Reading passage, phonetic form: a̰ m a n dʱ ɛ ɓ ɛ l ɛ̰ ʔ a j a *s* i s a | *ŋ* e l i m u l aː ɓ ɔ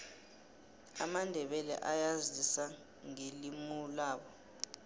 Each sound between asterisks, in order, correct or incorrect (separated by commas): incorrect, correct